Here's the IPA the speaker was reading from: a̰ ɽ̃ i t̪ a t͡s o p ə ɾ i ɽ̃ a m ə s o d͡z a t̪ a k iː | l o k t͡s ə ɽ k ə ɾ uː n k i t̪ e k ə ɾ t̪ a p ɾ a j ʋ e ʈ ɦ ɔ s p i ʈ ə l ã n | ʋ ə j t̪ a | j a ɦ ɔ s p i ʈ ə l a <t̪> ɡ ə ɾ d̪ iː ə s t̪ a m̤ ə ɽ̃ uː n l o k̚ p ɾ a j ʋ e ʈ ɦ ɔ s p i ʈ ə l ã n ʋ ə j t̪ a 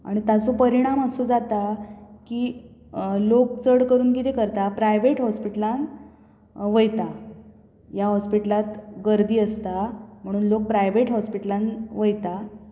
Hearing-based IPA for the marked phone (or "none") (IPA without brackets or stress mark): t̪